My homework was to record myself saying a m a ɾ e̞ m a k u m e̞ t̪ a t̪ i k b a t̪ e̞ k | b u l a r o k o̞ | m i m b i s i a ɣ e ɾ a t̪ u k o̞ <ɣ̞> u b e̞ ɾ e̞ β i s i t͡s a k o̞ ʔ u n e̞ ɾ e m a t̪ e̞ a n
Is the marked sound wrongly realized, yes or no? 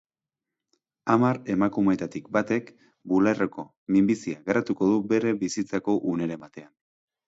yes